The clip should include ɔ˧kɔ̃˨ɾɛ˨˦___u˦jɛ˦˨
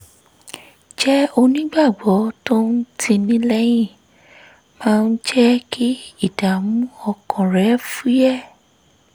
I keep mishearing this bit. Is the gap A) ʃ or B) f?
B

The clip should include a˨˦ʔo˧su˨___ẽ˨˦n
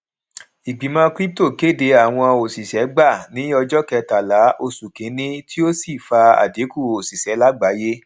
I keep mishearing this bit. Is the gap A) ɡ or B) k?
B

